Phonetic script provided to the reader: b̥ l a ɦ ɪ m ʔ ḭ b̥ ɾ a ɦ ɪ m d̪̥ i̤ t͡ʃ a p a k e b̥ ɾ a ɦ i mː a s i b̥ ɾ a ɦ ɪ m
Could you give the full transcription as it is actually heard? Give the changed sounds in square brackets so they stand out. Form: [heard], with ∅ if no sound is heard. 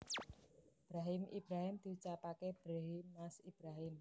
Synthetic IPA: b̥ [ɾ] a ɦ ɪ m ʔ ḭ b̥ ɾ a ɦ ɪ m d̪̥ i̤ t͡ʃ a p a k e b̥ ɾ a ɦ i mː a s i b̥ ɾ a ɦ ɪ m

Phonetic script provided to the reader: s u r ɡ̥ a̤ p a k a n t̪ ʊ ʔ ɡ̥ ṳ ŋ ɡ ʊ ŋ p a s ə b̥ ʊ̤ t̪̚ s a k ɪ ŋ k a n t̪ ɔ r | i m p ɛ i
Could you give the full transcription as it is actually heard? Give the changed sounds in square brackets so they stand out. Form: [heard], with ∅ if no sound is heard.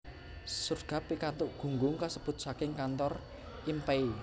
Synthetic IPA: s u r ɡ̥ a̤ p [i] k a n t̪ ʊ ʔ ɡ̥ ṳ ŋ ɡ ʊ ŋ [k] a s ə b̥ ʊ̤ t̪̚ s a k ɪ ŋ k a n t̪ ɔ r | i m p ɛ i

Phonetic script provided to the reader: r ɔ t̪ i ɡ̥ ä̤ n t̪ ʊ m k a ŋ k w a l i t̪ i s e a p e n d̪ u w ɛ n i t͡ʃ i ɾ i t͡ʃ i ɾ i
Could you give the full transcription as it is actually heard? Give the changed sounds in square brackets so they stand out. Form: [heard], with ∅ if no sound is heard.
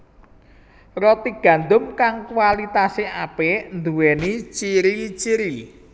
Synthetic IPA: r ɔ t̪ i ɡ̥ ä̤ n [d̪] ʊ m k a ŋ k w a l i t̪ [a] s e a p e n d̪ u w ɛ n i t͡ʃ i ɾ i t͡ʃ i ɾ i

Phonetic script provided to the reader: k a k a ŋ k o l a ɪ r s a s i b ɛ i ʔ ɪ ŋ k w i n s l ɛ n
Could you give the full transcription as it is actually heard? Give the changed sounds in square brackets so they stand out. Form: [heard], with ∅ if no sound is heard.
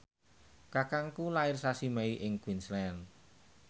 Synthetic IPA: k a k a ŋ k [u] l a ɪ r s a s i [m] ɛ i ʔ ɪ ŋ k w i n s l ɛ n

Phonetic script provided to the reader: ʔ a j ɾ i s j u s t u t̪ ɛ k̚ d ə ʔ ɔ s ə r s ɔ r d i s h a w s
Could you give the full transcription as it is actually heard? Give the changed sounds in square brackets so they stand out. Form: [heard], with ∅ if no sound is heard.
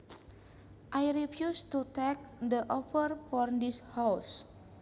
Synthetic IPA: ʔ a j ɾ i [f] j u s t u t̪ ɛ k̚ d ə ʔ ɔ [f] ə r [f] ɔ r d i s h a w s

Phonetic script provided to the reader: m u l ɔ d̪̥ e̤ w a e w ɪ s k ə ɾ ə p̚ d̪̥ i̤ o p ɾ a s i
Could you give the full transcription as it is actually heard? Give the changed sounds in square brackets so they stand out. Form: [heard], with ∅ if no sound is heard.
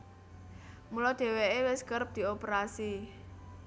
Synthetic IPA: m u l ɔ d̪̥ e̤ w [e] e w ɪ s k ə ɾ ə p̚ d̪̥ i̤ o p ɾ a s i

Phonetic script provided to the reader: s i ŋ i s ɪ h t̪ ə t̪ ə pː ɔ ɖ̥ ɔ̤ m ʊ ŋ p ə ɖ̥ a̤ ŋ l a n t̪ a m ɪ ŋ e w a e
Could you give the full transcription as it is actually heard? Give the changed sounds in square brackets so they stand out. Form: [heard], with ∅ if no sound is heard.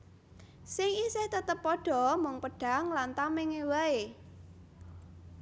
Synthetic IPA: s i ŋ i s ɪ h t̪ ə t̪ ə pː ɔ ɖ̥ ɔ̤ m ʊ ŋ p ə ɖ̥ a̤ ŋ l a n t̪ a m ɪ ŋ e w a e

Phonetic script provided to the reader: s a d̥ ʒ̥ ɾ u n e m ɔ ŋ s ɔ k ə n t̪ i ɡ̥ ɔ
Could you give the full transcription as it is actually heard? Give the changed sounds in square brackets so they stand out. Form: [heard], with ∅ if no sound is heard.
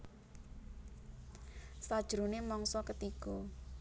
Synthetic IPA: s a d̥ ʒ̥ ɾ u n e m ɔ ŋ s ɔ k ə [∅] t̪ i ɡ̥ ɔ

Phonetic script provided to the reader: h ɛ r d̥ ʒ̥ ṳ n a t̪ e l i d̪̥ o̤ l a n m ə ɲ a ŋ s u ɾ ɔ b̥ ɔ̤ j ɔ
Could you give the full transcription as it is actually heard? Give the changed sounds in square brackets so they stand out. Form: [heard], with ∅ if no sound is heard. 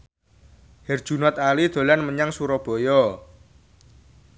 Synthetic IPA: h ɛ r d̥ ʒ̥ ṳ n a t̪ [a] l i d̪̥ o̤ l a n m ə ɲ a ŋ s u ɾ ɔ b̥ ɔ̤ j ɔ

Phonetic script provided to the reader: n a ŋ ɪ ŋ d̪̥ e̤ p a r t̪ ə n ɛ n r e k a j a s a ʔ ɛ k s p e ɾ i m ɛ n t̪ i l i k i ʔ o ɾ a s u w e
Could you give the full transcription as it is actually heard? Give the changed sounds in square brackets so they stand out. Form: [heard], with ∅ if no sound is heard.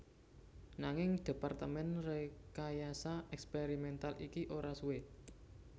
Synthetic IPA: n a ŋ ɪ ŋ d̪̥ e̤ p a r t̪ ə [m] ɛ n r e k a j a s a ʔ ɛ k s p e ɾ i m ɛ n t̪ [a] l i k i ʔ o ɾ a s u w e

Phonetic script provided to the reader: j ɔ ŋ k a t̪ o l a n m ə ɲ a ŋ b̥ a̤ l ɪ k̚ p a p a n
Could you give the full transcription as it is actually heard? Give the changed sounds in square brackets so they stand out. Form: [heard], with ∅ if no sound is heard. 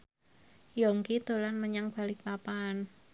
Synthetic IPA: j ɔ ŋ k [i] t̪ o l a n m ə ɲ a ŋ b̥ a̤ l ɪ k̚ p a p a n

